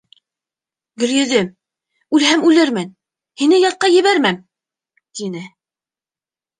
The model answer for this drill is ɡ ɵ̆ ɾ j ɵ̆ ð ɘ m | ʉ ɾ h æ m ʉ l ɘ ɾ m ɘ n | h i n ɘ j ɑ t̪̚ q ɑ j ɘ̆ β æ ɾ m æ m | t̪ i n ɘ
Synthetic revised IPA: ɡ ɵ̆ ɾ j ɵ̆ ð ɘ m | ʉ l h æ m ʉ l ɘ ɾ m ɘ n | h i n ɘ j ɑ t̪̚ q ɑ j ɘ̆ β æ ɾ m æ m | t̪ i n ɘ